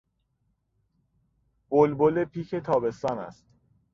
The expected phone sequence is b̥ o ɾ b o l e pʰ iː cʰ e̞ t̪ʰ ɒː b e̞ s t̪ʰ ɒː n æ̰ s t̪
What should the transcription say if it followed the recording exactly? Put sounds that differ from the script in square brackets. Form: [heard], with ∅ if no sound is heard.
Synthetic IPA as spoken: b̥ o [l] b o l e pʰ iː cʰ e̞ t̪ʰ ɒː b e̞ s [t̪] ɒː n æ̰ s t̪